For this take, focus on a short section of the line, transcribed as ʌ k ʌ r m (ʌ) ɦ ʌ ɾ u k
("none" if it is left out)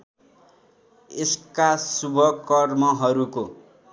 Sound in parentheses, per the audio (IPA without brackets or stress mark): ʌ